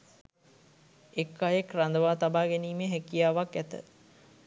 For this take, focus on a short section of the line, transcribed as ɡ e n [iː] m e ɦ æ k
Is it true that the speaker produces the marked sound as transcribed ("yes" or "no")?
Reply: yes